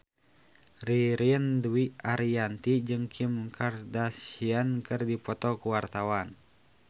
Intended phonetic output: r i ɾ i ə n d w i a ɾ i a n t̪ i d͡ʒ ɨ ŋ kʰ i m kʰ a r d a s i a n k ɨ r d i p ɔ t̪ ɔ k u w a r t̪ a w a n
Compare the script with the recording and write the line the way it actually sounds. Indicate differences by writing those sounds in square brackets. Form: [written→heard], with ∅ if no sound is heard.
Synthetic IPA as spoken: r i ɾ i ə n d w i a ɾ i a n t̪ i d͡ʒ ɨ ŋ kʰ i m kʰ a r d a s i a n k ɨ r d i p ɔ t̪ ɔ k u w a r t̪ a w a n